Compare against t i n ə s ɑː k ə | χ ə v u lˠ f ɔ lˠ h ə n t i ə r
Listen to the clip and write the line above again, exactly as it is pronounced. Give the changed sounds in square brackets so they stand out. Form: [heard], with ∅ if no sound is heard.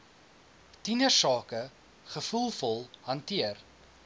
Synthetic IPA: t i n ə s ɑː k ə | χ ə [f] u lˠ f ɔ lˠ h [ɐ] n t i ə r